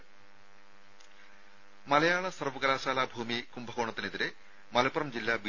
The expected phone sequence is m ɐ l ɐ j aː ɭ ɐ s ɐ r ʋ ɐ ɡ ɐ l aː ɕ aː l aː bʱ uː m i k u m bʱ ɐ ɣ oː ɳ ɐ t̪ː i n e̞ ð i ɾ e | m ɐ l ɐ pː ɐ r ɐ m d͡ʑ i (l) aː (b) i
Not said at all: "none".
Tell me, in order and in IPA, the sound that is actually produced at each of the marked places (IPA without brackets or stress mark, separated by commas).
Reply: lː, b